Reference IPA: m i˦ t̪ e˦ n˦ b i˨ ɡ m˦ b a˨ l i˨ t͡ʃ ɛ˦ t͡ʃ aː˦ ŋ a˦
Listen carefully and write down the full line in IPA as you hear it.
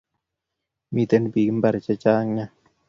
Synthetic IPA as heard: m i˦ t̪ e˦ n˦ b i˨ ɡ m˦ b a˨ ɾ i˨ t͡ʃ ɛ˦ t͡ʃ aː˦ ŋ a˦